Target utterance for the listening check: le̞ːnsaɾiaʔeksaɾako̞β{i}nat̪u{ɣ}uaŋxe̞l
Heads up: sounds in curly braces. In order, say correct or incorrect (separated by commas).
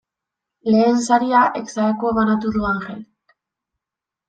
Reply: incorrect, incorrect